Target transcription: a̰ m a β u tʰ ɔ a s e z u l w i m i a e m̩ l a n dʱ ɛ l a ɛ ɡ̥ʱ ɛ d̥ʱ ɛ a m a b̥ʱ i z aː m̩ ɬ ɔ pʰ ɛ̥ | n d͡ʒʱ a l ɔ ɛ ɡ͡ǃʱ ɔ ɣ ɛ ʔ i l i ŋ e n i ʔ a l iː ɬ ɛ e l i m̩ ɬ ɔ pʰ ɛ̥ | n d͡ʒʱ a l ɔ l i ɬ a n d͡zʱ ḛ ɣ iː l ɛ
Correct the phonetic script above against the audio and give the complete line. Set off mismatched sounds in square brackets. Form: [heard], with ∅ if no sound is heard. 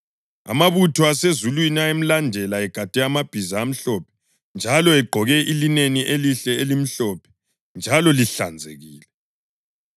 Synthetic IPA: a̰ m a β u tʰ ɔ a s e z u l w i [n] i a e m̩ l a n dʱ ɛ l a ɛ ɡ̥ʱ [a] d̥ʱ ɛ a m a b̥ʱ i z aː m̩ ɬ ɔ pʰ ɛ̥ | n d͡ʒʱ a l ɔ ɛ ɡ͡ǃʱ ɔ ɣ ɛ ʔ i l i [n] e n i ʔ [e] l [i] ɬ ɛ e l i m̩ ɬ ɔ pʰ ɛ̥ | n d͡ʒʱ a l ɔ l i ɬ a n d͡zʱ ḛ ɣ iː l ɛ